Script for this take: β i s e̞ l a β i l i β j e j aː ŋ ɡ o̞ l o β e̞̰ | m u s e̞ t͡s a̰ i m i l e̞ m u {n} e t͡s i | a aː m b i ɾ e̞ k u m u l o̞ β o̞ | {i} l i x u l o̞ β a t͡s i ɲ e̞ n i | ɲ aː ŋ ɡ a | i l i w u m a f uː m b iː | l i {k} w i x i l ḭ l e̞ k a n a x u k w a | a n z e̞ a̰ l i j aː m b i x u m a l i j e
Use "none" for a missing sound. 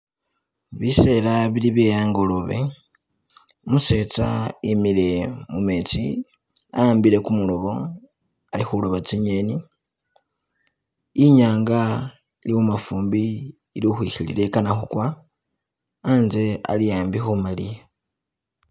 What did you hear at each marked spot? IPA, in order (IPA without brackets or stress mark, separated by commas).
m, a, x